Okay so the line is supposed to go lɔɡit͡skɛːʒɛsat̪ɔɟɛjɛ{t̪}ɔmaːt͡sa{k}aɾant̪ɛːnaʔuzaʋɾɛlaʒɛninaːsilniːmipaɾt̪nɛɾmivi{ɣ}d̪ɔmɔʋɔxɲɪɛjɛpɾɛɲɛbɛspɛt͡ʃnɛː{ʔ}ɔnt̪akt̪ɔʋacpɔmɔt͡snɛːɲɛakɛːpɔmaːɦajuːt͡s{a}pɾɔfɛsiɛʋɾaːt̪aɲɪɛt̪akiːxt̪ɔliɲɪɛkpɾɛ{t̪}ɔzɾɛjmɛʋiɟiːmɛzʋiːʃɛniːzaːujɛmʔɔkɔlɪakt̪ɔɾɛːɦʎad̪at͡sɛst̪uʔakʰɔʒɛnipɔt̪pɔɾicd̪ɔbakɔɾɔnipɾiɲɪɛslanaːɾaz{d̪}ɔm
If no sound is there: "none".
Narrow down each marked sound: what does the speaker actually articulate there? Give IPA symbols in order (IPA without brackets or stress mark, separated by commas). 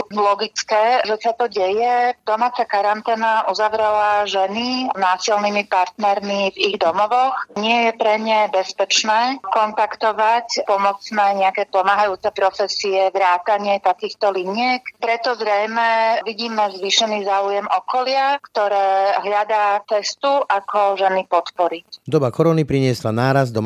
d̪, k, ɣ, k, ɛ, t̪, d̪